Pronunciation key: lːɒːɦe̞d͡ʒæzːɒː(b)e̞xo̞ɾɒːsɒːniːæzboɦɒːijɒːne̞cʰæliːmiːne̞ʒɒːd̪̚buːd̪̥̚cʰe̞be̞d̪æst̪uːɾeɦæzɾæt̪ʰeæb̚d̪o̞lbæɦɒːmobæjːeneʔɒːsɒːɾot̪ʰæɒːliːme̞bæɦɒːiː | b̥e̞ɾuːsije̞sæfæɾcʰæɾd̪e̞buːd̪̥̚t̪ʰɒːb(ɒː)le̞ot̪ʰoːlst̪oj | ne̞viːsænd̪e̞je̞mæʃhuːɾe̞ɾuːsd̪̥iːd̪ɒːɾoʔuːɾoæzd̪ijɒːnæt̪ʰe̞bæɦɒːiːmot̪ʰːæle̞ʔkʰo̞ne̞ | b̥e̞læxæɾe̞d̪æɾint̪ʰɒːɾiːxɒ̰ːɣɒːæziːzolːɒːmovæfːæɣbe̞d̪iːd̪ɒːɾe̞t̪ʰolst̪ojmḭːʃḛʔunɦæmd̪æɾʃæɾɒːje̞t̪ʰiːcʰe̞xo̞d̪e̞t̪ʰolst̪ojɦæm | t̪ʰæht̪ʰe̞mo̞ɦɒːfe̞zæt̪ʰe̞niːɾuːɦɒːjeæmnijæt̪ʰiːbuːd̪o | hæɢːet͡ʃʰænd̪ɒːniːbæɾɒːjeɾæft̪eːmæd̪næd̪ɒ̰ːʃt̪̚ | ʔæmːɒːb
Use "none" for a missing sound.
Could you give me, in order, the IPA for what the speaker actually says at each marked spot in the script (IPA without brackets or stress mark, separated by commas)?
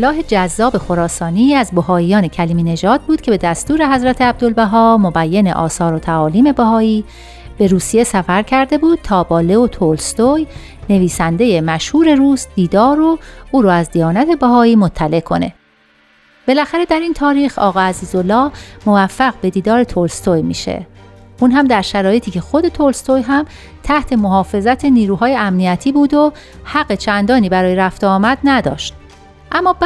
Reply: b, ɒː